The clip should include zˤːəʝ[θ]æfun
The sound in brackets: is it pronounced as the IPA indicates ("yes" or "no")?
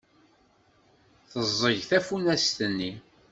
yes